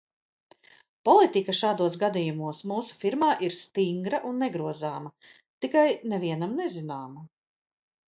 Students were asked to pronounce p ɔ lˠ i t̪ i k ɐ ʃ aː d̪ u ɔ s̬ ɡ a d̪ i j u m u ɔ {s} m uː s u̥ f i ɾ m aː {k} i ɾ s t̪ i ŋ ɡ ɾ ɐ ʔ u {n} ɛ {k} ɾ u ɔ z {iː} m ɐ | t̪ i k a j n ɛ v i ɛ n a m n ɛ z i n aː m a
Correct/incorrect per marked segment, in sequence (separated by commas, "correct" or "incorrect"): correct, incorrect, incorrect, incorrect, incorrect